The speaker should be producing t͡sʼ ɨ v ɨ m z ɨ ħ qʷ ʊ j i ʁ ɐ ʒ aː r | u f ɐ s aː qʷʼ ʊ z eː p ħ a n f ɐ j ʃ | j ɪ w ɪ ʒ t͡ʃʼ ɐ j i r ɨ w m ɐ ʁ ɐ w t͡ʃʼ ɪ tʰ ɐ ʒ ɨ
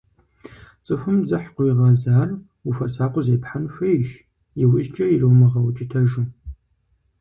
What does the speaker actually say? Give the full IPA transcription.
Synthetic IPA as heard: t͡sʼ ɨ f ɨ m z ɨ ħ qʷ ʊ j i ʁ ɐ z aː r | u f ɐ s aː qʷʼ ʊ z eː p ħ a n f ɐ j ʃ | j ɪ w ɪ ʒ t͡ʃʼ ɐ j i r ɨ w m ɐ ʁ ɐ w t͡ʃʼ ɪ tʰ ɐ ʒ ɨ

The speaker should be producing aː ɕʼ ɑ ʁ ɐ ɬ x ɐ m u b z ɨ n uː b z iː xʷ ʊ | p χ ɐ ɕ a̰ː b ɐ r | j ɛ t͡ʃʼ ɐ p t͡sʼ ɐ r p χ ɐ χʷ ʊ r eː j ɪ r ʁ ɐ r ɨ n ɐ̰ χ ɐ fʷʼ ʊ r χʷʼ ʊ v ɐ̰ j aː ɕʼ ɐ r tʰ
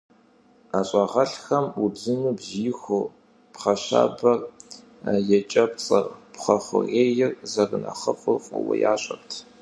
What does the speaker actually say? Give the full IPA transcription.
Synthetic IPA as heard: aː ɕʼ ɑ ʁ ɐ ɬ x ɐ m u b z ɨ n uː b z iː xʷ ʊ | p χ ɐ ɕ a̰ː b ɐ r | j ɛ t͡ʃʼ ɐ p t͡sʼ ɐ r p χ ɐ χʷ ʊ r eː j ɪ r z ɐ r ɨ n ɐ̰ χ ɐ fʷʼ ʊ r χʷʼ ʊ w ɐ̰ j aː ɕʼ ɐ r tʰ

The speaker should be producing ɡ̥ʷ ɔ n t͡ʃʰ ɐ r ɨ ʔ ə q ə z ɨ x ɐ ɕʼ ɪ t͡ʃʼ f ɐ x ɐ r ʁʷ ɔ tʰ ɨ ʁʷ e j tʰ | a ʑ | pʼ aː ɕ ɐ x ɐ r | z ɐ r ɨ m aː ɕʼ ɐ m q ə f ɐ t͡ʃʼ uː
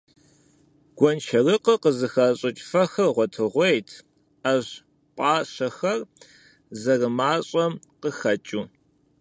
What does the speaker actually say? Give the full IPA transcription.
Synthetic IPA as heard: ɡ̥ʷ ɔ n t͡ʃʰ ɐ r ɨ q ə q ə z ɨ x ɐ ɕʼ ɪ t͡ʃʼ f ɐ x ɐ r ʁʷ ɔ tʰ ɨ ʁʷ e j tʰ | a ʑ | pʼ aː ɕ ɐ x ɐ r | z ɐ r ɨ m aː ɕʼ ɐ m q ə x ɐ t͡ʃʼ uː

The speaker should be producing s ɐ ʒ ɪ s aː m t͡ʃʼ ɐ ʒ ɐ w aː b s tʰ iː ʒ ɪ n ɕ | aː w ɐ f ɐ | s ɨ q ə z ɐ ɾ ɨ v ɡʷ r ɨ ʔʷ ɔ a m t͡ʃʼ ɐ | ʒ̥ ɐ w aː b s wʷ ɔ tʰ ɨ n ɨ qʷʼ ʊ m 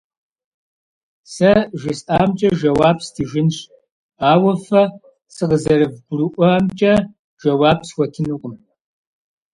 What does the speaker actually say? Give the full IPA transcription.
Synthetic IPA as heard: s ɐ ʒ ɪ s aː m t͡ʃʼ ɐ ʒ ɐ w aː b s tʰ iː ʒ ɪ n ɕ | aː w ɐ f ɐ | s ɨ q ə z ɐ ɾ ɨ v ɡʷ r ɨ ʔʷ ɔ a m t͡ʃʼ ɐ | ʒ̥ ɐ w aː b s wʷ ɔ tʰ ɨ n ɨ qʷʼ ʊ m

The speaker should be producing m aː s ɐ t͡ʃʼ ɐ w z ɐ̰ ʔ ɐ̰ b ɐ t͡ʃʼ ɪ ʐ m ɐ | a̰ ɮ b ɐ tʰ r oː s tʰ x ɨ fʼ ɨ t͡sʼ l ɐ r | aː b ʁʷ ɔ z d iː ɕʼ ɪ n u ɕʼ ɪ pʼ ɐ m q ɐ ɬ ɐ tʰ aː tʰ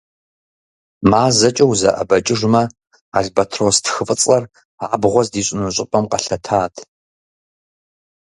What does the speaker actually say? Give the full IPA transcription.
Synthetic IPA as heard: m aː z ɐ t͡ʃʼ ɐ w z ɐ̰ ʔ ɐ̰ b ɐ t͡ʃʼ ɪ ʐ m ɐ | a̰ ɮ b ɐ tʰ r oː s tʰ x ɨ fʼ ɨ t͡sʼ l ɐ r | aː b ʁʷ ɔ z d iː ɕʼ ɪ n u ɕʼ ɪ pʼ ɐ m q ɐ ɬ ɐ tʰ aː tʰ

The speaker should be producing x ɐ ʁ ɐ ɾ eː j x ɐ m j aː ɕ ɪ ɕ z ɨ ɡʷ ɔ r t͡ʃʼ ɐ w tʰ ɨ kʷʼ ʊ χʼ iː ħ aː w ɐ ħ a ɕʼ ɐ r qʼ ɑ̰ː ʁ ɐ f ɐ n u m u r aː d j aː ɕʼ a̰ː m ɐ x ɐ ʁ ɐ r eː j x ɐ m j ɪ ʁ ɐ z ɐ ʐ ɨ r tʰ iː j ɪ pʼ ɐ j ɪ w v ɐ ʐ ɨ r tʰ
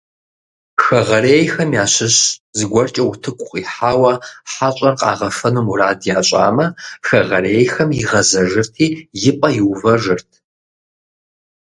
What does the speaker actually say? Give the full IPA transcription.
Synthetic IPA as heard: x ɐ ʁ ɐ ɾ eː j x ɐ m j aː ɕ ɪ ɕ z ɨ ɡʷ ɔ r t͡ʃʼ ɐ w tʰ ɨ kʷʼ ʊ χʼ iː ħ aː w ɐ ħ a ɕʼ ɐ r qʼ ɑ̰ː ʁ ɐ f ɐ n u m u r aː d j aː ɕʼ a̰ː m ɐ x ɐ ʁ ɐ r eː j x ɐ m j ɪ ʁ ɐ z ɐ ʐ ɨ r tʰ iː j ɪ pʼ ɐ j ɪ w v ɐ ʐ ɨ r tʰ

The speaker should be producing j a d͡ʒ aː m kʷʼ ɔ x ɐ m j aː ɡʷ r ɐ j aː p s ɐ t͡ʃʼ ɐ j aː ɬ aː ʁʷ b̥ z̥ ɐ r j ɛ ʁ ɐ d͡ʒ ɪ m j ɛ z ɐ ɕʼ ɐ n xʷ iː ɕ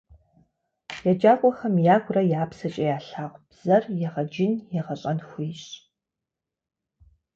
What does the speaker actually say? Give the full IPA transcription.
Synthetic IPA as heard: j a d͡ʒ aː kʷʼ ɔ x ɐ m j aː ɡʷ r ɐ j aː p s ɐ t͡ʃʼ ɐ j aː ɬ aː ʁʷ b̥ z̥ ɐ r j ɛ ʁ ɐ d͡ʒ ɪ n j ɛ ʁ ɐ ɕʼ ɐ n xʷ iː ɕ

